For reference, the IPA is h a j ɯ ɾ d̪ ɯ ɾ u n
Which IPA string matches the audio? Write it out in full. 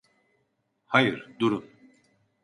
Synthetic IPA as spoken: h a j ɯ ɾ d̪ u ɾ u n